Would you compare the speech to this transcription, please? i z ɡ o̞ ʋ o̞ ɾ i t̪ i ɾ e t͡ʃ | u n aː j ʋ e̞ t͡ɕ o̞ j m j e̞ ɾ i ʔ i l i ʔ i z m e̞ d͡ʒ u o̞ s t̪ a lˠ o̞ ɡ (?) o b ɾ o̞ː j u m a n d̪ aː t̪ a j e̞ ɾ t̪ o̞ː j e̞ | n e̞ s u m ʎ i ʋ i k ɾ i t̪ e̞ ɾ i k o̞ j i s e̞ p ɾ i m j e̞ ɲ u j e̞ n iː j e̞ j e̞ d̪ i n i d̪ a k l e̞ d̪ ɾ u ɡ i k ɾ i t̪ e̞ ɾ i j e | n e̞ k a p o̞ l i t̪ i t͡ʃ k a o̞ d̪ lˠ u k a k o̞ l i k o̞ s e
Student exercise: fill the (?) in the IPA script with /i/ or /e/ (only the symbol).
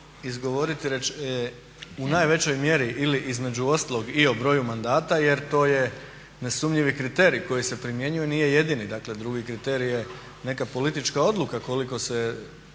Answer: i